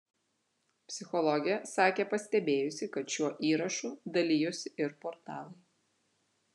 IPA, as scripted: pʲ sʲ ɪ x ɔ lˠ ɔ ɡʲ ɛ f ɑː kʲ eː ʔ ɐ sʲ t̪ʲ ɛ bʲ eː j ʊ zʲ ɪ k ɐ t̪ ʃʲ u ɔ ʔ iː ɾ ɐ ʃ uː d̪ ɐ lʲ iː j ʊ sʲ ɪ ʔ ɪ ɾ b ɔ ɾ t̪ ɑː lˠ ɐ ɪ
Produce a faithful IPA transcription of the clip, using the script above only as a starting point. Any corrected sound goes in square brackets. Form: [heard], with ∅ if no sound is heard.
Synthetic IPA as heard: pʲ sʲ ɪ x ɔ lˠ ɔ ɡʲ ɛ [s] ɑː kʲ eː [p] ɐ sʲ t̪ʲ ɛ bʲ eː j ʊ [sʲ] ɪ k ɐ t̪ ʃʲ u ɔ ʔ iː ɾ ɐ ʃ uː d̪ ɐ lʲ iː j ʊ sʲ ɪ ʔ ɪ ɾ [p] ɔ ɾ t̪ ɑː lˠ ɐ ɪ